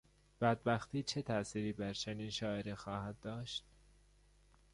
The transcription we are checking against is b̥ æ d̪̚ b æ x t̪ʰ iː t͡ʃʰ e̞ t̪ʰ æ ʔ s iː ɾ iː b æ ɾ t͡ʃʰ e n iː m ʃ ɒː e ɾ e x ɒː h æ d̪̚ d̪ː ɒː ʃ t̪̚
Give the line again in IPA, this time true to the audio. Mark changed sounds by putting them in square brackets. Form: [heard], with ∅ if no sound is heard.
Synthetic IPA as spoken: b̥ æ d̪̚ b æ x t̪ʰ iː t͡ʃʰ e̞ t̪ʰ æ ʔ s iː ɾ iː b æ ɾ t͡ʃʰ e n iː [n] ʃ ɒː e ɾ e x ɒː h æ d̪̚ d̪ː ɒː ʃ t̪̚